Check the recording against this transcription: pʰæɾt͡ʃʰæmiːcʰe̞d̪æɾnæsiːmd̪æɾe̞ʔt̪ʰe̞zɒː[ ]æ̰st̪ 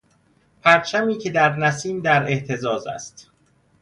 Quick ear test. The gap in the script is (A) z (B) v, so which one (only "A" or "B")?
A